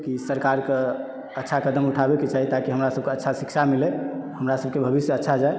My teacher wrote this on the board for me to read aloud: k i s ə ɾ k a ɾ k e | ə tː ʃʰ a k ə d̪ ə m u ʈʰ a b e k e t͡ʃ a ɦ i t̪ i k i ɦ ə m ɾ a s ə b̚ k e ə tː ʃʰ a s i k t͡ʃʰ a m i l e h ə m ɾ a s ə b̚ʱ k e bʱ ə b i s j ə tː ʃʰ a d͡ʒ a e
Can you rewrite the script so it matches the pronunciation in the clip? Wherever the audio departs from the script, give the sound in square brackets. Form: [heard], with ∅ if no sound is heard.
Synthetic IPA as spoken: k i s ə ɾ k a ɾ k e | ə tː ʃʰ a k ə d̪ ə m u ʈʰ a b e k e t͡ʃ a ɦ i t̪ [a] k i ɦ ə m ɾ a s ə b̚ k e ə tː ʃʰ a s i k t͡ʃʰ a m i l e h ə m ɾ a s ə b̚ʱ k e bʱ ə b i s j ə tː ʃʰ a d͡ʒ a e